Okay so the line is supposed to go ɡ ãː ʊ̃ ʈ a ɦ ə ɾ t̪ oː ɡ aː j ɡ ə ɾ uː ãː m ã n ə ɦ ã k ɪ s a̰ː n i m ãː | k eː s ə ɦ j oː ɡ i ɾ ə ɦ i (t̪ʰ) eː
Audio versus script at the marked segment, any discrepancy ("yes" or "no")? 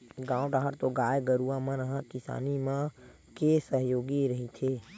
no